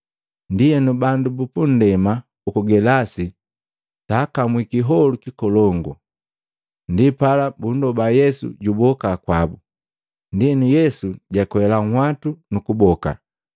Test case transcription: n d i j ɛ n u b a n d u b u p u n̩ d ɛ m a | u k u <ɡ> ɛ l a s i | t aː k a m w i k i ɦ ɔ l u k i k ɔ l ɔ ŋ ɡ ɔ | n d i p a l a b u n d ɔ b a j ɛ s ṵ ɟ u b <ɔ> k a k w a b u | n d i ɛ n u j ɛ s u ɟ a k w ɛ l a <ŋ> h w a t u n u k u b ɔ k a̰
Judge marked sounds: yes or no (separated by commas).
yes, yes, yes